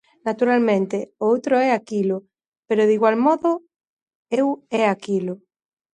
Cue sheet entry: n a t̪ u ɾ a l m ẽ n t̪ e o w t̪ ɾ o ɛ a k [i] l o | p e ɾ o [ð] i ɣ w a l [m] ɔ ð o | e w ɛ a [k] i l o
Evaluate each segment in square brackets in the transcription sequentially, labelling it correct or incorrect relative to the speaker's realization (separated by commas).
correct, correct, correct, correct